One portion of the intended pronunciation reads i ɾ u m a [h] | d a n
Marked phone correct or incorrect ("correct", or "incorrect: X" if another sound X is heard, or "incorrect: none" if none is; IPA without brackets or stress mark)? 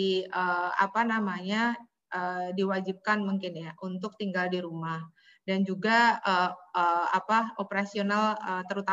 correct